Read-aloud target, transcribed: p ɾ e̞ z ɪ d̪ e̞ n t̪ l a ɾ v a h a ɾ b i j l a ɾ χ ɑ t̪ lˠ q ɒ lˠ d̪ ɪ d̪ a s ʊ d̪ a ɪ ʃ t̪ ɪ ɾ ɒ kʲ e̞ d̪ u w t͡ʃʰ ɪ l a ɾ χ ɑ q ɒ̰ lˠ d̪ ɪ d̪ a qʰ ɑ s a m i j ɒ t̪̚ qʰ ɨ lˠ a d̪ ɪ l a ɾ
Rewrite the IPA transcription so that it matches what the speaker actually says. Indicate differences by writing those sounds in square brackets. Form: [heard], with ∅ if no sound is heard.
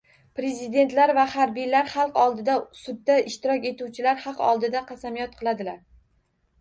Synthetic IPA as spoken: p ɾ e̞ z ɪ d̪ e̞ n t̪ l a ɾ v a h a ɾ b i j l a ɾ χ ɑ [∅] lˠ q ɒ lˠ d̪ ɪ d̪ a s ʊ [d̪ː] a ɪ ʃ t̪ ɪ ɾ ɒ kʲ e̞ [t̪] u w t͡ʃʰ ɪ l a ɾ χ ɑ q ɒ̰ lˠ d̪ ɪ d̪ a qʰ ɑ s a m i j ɒ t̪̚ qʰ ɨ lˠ a d̪ ɪ l a ɾ